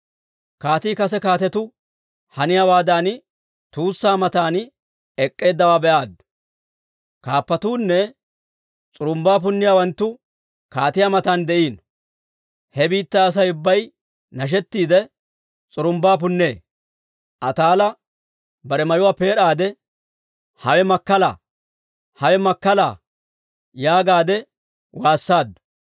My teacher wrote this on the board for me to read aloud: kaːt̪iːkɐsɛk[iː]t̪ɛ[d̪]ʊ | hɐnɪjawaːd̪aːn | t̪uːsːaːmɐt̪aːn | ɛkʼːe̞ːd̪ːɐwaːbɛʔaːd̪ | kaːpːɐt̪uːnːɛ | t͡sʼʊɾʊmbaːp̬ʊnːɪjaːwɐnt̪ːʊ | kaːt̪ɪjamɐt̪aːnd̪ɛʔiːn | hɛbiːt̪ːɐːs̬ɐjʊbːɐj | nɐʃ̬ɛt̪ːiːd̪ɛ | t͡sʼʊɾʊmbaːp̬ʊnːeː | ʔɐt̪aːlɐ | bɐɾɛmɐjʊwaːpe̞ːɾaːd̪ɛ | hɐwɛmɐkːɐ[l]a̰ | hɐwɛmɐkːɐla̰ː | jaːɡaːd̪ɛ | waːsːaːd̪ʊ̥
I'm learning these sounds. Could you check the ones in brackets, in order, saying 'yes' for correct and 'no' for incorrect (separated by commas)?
no, no, yes